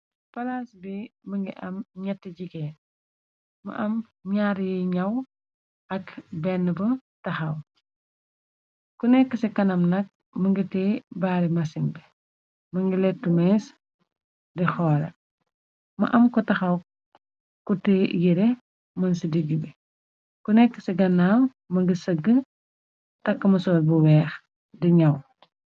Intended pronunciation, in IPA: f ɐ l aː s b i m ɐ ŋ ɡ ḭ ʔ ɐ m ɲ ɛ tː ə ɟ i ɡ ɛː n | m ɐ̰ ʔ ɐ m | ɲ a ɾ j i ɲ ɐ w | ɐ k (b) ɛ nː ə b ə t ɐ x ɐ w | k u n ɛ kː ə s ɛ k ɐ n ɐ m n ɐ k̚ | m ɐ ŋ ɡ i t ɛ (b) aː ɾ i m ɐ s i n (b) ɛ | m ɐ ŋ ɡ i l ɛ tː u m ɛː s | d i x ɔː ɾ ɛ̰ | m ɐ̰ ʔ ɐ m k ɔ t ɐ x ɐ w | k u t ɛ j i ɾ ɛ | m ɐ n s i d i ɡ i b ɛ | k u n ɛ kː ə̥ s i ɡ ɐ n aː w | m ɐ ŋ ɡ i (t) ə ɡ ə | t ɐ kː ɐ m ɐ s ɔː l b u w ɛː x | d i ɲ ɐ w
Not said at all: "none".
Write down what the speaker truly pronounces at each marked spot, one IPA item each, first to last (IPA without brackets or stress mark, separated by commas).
b, b, b, s